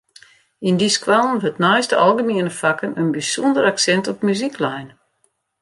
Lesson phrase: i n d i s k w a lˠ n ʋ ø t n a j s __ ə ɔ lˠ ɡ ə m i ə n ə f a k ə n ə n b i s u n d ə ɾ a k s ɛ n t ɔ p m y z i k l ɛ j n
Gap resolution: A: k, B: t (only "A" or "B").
B